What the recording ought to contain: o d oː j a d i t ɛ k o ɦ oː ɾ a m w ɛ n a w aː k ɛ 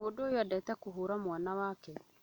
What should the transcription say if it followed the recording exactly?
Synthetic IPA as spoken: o d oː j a d ɛ t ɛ k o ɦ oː ɾ a m w a n a w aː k ɛ